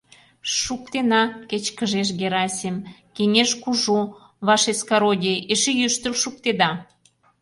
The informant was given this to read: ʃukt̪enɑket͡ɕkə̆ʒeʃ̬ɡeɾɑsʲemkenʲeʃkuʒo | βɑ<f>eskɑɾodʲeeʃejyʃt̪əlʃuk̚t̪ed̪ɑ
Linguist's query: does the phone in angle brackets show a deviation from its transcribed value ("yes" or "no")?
yes